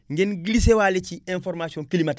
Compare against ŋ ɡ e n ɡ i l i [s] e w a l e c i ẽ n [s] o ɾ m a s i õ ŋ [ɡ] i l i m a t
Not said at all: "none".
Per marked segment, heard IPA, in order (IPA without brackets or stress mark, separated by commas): s, f, k